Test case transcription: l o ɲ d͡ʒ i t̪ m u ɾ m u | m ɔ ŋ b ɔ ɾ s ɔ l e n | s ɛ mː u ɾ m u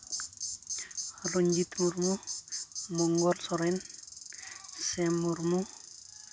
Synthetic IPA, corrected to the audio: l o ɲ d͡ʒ i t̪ m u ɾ m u | m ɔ ŋ ɡ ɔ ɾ s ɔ ɾ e n | s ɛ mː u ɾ m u